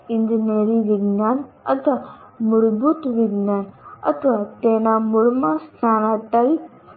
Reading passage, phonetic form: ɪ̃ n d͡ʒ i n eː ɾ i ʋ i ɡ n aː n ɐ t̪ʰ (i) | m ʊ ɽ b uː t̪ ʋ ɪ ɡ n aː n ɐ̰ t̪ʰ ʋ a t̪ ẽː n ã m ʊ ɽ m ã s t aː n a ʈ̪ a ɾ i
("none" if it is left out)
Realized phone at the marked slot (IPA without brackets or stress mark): a